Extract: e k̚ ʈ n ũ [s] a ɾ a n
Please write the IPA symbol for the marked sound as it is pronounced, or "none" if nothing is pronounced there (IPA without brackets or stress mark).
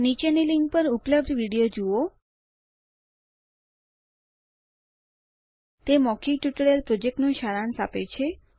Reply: ʃ